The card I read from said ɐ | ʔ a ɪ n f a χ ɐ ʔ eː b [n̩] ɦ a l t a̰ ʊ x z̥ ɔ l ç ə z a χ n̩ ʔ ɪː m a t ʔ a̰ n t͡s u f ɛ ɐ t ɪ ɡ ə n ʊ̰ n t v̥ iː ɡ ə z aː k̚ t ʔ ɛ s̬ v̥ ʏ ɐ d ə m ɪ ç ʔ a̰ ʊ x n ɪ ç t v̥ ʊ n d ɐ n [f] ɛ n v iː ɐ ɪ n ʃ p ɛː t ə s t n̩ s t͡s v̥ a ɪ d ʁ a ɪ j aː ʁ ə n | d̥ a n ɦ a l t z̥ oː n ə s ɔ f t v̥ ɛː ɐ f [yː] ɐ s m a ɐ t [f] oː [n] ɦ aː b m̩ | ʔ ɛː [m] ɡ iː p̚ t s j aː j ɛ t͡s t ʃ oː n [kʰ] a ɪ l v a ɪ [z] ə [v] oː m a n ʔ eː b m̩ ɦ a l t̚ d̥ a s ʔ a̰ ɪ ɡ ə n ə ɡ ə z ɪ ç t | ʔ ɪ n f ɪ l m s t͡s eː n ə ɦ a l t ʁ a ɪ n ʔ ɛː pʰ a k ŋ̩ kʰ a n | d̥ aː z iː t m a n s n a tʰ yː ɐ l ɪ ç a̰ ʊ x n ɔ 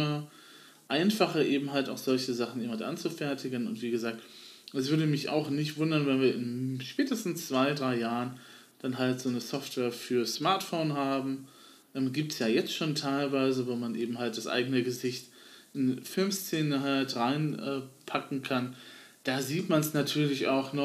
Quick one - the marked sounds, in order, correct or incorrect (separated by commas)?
incorrect, incorrect, correct, correct, correct, correct, incorrect, correct, correct